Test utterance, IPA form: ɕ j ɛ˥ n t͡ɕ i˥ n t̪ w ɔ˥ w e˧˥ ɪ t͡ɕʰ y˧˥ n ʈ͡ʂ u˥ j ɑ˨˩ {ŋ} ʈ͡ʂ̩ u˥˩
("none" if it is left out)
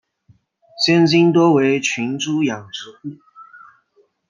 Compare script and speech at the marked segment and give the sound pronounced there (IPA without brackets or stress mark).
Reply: ŋ